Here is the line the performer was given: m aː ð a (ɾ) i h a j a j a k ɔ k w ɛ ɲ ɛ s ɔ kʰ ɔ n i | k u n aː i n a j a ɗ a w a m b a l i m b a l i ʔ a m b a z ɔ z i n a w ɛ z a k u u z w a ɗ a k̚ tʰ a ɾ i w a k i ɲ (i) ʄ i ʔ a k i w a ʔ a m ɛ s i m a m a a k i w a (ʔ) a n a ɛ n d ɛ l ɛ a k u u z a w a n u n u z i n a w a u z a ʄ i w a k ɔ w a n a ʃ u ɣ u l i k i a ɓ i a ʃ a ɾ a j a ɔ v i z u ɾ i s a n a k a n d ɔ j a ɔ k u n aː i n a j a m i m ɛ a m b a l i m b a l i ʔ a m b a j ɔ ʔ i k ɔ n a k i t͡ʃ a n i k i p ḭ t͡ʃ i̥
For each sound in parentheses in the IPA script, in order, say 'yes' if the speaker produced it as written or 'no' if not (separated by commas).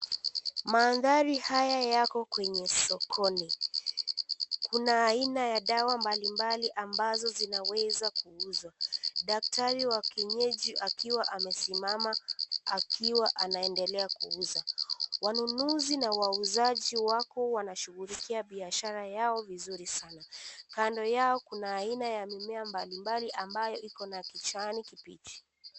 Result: yes, no, yes